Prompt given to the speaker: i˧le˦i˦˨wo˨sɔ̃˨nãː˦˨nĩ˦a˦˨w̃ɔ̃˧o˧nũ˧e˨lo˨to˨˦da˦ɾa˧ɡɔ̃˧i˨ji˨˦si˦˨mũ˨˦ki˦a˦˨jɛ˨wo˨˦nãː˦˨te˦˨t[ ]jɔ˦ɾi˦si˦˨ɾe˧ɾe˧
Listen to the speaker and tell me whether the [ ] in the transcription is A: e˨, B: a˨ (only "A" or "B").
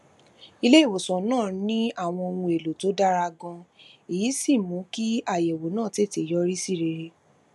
A